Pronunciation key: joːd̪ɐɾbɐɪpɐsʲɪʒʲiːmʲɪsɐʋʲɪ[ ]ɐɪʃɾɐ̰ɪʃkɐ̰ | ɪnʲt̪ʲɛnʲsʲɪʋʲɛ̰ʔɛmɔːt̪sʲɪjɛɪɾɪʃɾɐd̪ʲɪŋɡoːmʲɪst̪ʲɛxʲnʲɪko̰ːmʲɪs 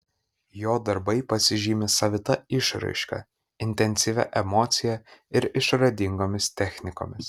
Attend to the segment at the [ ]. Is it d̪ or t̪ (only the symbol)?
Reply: t̪